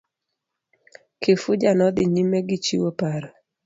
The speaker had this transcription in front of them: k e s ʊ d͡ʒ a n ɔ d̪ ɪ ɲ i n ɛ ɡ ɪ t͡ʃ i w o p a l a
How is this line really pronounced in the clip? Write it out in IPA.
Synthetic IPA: k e f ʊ d͡ʒ a n ɔ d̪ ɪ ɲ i m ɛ ɡ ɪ t͡ʃ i w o p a ɾ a